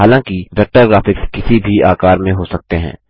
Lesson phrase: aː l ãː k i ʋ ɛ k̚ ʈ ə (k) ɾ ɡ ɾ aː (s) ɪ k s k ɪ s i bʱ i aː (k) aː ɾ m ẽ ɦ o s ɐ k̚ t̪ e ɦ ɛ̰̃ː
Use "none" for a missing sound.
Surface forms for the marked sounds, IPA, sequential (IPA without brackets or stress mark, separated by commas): none, f, k